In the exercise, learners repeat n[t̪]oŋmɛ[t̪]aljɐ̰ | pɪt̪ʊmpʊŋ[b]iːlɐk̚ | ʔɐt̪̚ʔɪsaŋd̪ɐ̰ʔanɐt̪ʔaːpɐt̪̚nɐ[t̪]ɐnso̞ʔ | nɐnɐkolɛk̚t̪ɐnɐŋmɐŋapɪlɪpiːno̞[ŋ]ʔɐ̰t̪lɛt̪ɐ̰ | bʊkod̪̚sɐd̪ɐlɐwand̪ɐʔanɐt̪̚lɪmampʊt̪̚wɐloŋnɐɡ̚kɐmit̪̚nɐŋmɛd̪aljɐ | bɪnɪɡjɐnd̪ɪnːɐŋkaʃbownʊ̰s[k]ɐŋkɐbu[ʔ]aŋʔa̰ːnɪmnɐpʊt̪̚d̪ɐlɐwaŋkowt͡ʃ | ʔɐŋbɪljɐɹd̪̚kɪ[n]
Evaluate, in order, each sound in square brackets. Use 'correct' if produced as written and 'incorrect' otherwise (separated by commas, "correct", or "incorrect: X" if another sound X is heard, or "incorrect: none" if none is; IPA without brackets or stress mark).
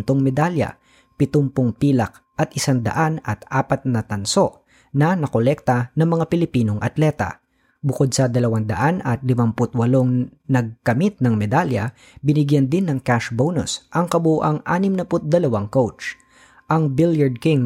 correct, incorrect: d̪, incorrect: p, correct, correct, incorrect: ʔ, correct, incorrect: ŋ